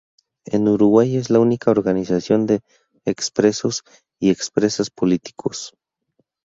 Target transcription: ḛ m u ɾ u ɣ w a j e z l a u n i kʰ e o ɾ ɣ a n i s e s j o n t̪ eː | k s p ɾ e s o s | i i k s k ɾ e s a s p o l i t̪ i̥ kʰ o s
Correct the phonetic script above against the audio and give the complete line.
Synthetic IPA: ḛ n u ɾ u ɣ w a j e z l a u n i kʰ a o ɾ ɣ a n i s a s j o n d̪ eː | k s p ɾ e s o s | i e k s p ɾ e s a s p o l i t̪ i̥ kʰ o s